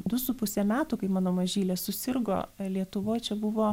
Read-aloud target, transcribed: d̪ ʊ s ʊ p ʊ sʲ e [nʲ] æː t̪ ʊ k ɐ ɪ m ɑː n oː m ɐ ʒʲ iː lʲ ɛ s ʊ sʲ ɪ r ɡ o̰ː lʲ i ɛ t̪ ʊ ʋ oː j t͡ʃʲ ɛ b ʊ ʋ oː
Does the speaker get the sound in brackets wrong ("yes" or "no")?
yes